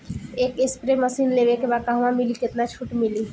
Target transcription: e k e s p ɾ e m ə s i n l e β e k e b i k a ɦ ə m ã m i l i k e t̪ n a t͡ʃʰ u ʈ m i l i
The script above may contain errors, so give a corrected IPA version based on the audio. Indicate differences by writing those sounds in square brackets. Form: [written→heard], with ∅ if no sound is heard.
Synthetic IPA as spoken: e k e s p ɾ e m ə s i n l e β e k e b [i→a] k a ɦ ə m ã m i l i k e t̪ n a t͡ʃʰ u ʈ m i l i